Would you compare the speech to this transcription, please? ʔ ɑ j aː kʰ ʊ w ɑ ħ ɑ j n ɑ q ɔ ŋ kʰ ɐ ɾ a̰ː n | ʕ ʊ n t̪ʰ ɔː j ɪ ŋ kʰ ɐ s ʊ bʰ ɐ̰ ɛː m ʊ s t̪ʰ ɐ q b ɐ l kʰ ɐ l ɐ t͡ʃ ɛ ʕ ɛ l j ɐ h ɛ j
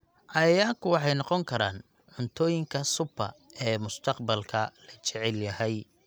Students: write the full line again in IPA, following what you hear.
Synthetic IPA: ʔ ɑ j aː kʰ ʊ w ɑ ħ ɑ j n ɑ q ɔ ŋ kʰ ɐ ɾ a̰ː n | ʕ ʊ n t̪ʰ ɔː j ɪ ŋ kʰ ɐ s ʊ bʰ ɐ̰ ɛː m ʊ s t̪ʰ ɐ q b ɐ l kʰ ɐ l ɐ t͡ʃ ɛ ʕ ɛ l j ɐ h ɛ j